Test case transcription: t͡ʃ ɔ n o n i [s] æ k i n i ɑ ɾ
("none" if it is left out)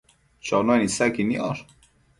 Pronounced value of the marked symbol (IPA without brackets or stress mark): s